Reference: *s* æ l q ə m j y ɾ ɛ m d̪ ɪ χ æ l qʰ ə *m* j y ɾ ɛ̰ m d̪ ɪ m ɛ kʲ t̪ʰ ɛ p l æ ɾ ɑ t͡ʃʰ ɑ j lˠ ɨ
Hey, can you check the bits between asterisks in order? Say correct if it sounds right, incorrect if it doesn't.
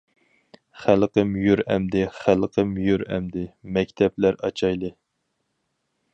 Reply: incorrect: χ, correct

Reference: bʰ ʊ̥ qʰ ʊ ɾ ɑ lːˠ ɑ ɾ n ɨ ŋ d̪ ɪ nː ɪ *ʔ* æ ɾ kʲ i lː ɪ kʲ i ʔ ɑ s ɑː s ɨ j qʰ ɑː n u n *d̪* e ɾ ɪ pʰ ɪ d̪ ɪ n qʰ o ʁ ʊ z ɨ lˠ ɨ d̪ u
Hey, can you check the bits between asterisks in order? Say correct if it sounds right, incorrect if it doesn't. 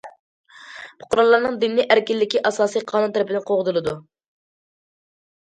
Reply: correct, incorrect: t̪

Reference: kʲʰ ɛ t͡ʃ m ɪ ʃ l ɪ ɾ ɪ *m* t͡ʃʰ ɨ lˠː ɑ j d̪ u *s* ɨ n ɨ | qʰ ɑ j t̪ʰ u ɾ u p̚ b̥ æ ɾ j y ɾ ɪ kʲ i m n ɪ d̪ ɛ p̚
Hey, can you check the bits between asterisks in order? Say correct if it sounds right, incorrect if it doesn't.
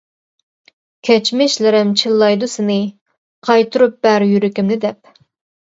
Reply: correct, correct

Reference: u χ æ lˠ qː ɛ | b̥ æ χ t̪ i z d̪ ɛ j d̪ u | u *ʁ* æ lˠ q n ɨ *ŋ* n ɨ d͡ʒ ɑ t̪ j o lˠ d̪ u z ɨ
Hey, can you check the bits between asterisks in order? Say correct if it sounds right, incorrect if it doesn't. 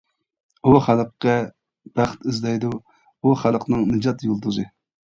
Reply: incorrect: χ, correct

